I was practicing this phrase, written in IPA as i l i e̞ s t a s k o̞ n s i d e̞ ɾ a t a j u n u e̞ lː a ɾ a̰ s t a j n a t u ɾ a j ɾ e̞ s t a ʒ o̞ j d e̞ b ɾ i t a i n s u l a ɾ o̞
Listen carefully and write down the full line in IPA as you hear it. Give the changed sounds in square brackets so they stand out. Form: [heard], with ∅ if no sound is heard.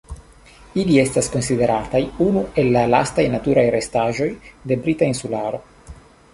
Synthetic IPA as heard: i l i e̞ s t a s k o̞ n s i d e̞ ɾ a t a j u n u e̞ lː a [l] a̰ s t a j n a t u ɾ a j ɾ e̞ s t a ʒ o̞ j d e̞ b ɾ i t a i n s u l a ɾ o̞